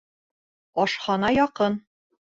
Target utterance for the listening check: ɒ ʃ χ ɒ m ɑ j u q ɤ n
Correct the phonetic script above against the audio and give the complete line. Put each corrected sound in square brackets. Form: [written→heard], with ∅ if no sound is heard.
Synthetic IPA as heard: ɒ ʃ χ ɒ [m→n] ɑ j [u→ɒ] q ɤ n